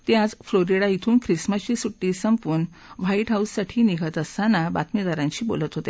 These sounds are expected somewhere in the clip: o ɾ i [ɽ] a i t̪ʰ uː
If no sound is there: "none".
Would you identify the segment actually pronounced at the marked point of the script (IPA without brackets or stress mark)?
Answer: ɽ